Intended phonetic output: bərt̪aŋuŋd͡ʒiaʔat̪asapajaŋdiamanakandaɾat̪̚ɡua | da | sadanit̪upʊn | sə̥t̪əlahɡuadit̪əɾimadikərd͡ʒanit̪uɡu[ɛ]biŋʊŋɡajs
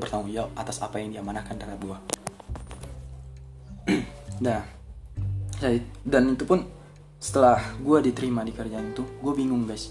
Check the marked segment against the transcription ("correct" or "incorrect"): incorrect